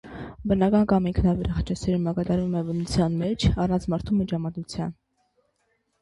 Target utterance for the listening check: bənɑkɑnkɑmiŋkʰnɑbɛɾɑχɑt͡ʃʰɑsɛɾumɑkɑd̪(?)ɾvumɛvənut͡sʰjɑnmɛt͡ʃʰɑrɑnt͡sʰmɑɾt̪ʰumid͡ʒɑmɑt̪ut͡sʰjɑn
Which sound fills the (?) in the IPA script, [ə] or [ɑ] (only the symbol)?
ɑ